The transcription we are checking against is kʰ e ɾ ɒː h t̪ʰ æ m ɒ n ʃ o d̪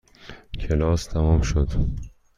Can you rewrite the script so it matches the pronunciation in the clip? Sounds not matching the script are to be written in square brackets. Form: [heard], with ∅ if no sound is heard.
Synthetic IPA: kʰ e [l] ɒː [s] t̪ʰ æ m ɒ [m] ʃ o d̪